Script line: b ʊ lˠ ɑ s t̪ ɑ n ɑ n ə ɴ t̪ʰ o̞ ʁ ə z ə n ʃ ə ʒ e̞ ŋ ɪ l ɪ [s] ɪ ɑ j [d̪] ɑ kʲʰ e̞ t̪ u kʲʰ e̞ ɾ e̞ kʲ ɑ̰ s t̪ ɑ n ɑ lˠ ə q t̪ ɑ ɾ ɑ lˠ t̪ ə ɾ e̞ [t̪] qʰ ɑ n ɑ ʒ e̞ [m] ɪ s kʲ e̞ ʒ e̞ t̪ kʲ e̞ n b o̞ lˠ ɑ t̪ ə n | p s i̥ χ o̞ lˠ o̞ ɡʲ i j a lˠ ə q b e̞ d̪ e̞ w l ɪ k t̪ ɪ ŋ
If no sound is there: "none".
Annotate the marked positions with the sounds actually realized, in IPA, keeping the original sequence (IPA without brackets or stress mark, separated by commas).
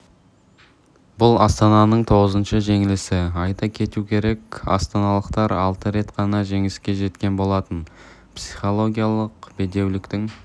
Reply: s, t̪, t̪, ŋ